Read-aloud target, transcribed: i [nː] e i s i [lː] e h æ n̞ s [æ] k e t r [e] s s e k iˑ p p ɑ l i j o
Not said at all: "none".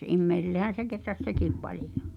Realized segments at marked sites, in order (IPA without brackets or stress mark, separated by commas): mː, lː, e, æ